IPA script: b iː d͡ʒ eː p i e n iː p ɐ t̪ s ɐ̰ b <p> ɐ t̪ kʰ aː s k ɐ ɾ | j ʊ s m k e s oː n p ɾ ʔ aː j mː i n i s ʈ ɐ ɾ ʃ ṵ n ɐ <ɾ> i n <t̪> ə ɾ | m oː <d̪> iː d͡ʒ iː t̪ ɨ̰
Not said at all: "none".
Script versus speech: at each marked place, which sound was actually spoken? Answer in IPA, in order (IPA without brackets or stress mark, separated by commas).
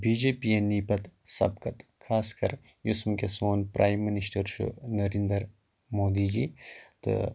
k, ɾ, d̪, d̪